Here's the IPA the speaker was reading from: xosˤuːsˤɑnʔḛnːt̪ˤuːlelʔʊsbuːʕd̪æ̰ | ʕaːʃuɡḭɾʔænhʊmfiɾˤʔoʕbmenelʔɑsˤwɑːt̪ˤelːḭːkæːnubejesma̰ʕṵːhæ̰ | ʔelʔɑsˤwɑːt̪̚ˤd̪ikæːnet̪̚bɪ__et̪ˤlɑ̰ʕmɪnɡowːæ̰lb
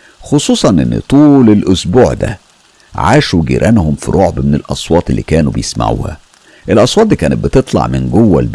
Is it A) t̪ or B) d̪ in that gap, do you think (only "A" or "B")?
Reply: A